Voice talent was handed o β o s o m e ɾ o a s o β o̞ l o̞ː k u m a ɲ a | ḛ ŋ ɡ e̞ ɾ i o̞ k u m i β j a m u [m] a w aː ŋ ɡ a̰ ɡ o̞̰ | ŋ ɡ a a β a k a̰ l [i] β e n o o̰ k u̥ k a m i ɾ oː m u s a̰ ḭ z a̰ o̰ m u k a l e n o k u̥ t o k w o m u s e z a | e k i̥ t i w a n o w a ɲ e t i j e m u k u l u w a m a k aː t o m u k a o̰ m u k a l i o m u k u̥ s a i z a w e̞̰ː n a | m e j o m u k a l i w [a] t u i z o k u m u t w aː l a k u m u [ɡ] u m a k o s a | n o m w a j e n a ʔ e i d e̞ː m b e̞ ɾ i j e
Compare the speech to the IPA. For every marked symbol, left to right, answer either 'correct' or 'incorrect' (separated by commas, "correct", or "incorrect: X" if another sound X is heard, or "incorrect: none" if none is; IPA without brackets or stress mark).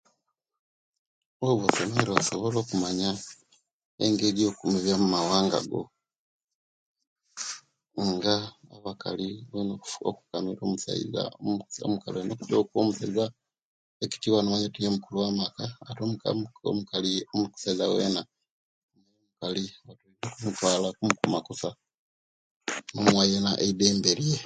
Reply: correct, correct, correct, incorrect: k